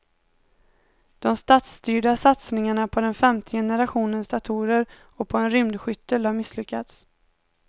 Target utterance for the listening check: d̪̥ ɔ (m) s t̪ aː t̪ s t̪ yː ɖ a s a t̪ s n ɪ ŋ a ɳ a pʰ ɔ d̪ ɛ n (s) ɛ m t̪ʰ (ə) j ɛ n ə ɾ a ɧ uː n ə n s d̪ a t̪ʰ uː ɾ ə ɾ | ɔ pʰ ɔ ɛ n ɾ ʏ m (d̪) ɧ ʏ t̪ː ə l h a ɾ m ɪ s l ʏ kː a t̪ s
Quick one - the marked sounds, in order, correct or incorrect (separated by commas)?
correct, incorrect, correct, correct